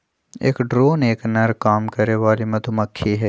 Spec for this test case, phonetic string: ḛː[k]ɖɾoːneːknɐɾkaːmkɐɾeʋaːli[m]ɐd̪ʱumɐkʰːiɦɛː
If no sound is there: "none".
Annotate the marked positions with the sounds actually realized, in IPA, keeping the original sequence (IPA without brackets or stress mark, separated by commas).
k, m